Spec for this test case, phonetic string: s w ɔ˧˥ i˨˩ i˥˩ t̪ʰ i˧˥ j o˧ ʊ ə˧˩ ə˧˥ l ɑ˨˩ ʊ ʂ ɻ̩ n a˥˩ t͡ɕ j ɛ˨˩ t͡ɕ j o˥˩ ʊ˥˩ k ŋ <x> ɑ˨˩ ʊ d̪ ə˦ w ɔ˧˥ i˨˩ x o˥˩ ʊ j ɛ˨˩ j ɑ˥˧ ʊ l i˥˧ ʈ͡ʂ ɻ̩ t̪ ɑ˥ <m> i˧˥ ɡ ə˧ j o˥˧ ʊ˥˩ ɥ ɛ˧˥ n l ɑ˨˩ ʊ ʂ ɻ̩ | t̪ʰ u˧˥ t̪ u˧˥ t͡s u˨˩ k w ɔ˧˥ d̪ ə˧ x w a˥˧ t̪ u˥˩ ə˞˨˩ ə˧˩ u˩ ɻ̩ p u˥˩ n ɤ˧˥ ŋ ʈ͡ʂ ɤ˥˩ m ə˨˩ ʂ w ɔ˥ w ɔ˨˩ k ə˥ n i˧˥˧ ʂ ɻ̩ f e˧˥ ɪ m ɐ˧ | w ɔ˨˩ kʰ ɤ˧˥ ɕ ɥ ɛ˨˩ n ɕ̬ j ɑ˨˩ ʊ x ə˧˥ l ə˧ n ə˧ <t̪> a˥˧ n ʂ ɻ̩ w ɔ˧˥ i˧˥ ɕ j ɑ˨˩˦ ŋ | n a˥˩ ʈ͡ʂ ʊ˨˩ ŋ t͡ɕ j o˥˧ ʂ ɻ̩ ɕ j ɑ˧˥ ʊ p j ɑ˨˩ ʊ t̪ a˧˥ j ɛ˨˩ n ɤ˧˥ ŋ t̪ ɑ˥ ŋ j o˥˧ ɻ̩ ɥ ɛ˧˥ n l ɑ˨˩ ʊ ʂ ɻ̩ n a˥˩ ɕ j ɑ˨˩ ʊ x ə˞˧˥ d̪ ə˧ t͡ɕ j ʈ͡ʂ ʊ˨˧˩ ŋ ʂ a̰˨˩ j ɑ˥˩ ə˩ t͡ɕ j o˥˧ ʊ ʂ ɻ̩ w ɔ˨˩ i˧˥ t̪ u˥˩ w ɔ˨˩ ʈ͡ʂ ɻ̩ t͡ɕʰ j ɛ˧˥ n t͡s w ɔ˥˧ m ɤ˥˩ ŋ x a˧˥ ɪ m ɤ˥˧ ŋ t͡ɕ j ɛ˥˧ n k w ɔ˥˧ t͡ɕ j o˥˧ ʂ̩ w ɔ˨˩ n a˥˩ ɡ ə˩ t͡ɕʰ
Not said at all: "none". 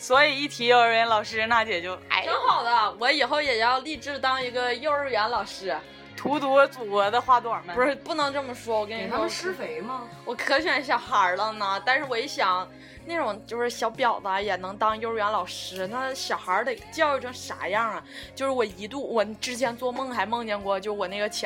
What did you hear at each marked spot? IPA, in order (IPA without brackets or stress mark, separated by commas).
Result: x, ŋ, t̪